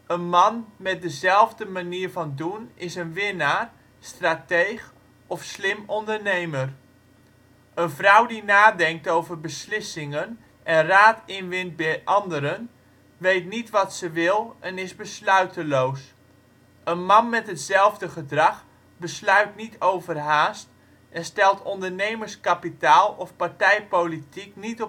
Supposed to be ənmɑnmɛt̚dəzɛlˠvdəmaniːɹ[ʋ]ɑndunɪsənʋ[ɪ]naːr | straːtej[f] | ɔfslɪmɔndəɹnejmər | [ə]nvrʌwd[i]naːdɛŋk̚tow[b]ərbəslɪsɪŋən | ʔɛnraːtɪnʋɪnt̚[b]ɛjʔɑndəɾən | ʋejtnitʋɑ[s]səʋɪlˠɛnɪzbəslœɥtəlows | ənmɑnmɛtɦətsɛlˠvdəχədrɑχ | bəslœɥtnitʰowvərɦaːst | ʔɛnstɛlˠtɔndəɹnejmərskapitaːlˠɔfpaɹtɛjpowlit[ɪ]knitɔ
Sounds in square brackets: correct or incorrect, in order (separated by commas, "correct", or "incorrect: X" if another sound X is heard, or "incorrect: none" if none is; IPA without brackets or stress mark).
incorrect: v, correct, incorrect: χ, correct, correct, incorrect: v, correct, incorrect: t, incorrect: i